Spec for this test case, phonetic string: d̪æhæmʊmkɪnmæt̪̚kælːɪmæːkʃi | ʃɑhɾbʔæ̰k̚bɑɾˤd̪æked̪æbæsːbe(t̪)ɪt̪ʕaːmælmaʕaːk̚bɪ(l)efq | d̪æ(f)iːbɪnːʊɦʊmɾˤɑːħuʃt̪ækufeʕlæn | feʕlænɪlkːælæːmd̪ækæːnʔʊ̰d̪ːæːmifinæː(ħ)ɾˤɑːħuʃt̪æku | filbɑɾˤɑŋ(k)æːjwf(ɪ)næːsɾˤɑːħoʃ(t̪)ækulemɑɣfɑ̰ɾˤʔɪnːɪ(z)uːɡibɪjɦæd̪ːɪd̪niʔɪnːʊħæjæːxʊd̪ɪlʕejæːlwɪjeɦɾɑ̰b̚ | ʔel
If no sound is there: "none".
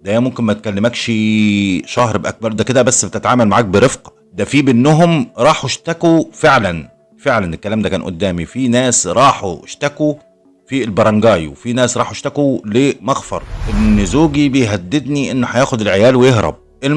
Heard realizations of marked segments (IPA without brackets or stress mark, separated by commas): t̪, ɾ, f, s, ɡ, i, t̪, z